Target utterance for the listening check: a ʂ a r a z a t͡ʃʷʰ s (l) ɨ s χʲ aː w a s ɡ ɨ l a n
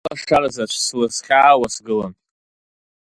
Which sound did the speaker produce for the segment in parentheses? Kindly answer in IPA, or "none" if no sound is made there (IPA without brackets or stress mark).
l